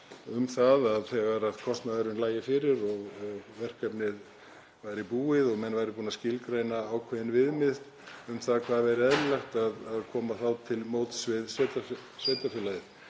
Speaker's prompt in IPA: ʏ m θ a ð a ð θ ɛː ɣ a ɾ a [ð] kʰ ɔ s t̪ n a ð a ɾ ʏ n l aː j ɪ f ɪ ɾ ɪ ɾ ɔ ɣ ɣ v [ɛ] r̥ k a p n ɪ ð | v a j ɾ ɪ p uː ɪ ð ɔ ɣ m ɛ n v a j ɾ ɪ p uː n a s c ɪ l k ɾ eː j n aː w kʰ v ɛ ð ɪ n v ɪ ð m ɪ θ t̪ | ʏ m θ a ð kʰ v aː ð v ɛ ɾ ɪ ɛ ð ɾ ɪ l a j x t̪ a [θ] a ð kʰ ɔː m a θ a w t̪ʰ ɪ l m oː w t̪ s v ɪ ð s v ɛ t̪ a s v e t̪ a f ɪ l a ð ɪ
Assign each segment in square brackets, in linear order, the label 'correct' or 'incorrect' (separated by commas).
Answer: correct, correct, incorrect